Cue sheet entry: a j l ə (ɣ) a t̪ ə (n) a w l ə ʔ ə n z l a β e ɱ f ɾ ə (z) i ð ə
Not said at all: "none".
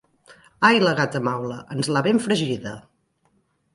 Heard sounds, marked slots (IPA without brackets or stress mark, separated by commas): ɣ, m, ʒ